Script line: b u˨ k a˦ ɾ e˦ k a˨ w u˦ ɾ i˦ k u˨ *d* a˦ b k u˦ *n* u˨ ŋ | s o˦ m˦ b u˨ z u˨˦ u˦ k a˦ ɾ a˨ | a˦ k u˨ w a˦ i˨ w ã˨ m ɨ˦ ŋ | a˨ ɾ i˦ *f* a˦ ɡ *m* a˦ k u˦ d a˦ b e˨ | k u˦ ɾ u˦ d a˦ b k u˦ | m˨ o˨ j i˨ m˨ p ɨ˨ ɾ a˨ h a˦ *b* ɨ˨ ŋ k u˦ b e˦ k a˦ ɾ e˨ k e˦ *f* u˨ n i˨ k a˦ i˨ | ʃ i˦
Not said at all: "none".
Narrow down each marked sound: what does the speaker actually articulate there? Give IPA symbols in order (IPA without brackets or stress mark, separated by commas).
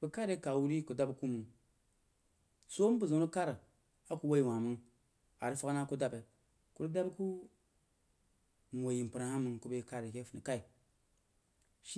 d, m, f, n, m, f